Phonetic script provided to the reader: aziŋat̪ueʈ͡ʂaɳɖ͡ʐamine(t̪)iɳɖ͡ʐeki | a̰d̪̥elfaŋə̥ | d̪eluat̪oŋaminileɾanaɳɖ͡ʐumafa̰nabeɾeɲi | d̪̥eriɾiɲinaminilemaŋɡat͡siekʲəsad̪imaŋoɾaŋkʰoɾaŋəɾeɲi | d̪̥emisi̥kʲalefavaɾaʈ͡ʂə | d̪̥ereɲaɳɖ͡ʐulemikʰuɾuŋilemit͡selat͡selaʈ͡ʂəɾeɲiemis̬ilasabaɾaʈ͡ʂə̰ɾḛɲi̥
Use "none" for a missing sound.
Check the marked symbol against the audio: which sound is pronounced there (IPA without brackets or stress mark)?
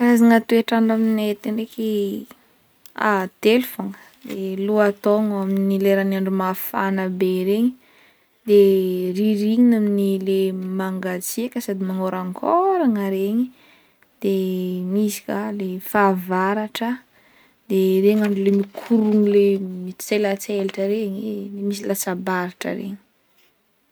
t̪